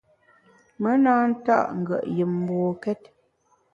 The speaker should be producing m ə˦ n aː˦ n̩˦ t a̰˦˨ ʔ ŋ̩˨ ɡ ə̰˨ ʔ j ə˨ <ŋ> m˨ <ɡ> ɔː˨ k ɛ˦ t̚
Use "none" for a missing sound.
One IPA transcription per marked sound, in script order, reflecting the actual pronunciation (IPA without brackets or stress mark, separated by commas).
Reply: m, b